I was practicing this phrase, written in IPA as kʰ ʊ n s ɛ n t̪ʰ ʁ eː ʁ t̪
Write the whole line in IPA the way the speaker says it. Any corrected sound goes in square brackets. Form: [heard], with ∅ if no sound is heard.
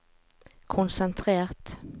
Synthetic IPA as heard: kʰ ʊ n s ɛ n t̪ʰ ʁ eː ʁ t̪